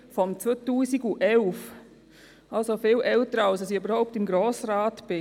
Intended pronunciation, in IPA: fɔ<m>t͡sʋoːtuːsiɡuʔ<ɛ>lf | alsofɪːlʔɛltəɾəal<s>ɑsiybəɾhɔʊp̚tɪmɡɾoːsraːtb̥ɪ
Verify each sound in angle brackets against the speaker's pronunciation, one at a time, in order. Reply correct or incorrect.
correct, correct, correct

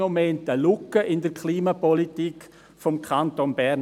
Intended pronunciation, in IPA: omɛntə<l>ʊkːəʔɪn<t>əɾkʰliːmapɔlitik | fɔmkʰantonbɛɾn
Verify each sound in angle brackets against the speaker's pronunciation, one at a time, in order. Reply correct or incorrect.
correct, incorrect: d

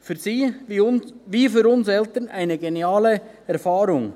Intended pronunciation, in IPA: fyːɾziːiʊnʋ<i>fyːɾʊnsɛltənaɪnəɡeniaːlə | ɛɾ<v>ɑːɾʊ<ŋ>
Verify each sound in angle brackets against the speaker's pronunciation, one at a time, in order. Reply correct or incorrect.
incorrect: iː, incorrect: f, correct

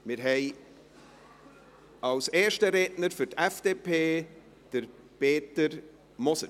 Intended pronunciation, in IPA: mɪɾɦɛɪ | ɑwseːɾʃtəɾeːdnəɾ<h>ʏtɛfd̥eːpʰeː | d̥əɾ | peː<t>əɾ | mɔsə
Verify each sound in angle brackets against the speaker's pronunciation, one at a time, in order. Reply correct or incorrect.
incorrect: f, correct

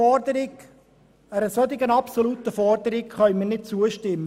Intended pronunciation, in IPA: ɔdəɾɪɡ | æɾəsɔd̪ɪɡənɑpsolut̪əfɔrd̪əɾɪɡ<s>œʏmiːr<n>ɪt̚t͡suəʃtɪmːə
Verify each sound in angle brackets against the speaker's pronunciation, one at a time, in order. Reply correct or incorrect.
incorrect: χ, correct

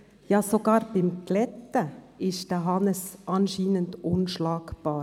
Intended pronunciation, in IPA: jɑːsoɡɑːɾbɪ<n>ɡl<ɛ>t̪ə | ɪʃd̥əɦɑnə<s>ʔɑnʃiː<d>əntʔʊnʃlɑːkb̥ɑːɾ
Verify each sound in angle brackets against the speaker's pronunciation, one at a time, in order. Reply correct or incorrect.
incorrect: m, correct, correct, incorrect: n

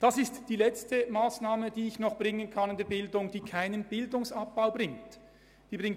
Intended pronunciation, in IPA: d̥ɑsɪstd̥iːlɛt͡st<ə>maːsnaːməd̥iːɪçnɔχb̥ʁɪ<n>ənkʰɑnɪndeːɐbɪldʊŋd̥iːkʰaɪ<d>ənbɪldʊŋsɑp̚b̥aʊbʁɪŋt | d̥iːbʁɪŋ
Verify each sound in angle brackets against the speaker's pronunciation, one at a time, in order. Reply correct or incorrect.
correct, incorrect: ŋ, incorrect: n

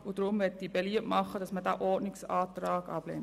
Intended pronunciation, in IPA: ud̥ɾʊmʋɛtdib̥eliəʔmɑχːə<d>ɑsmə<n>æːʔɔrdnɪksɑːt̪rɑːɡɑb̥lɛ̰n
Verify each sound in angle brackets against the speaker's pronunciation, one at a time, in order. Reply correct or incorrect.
correct, incorrect: d

